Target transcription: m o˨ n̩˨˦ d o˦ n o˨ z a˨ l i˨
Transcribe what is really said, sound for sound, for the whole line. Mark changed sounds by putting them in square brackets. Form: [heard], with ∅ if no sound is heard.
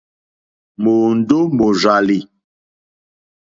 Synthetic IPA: m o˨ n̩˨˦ d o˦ [m] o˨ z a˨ l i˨